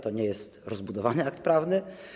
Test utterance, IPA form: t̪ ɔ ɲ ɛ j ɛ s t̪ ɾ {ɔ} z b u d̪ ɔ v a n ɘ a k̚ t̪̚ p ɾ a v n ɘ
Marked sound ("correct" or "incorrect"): correct